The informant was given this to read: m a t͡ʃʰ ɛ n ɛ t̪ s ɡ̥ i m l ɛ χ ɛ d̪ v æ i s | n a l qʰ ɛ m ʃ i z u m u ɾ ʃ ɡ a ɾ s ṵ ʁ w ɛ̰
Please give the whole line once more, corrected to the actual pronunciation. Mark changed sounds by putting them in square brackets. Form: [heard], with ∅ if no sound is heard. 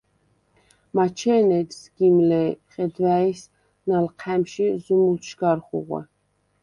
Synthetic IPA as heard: m a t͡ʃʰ ɛ n ɛ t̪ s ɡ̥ i m l ɛ χ ɛ d̪ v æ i s | n a l qʰ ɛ m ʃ i z u m u [l] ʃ ɡ a ɾ [χ] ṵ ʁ w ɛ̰